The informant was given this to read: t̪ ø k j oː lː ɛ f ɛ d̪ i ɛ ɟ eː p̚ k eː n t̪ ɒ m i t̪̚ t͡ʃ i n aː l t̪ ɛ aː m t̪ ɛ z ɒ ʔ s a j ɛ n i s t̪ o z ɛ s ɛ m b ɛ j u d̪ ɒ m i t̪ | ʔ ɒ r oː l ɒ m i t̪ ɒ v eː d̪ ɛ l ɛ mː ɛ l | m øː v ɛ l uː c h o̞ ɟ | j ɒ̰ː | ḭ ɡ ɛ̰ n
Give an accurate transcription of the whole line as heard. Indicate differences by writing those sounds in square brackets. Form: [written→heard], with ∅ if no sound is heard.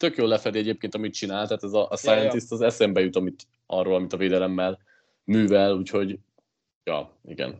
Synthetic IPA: t̪ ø k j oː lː ɛ f ɛ d̪ i ɛ ɟ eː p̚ k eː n t̪ ɒ m i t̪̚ t͡ʃ i n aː l t̪ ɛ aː [m→∅] t̪ ɛ z ɒ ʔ s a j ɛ n i s t̪ [o→ɒ] z ɛ s ɛ m b ɛ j u [d̪→t̪] ɒ m i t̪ | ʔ ɒ r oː l ɒ m i t̪ ɒ v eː d̪ ɛ l ɛ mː ɛ l | m [øː→yː] v ɛ l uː c h o̞ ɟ | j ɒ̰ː | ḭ ɡ ɛ̰ n